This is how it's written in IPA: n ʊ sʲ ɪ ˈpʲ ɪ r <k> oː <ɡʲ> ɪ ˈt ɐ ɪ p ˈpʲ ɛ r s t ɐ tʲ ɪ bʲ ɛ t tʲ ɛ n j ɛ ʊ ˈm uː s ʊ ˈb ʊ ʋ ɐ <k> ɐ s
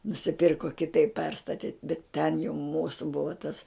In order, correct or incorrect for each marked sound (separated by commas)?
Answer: correct, incorrect, incorrect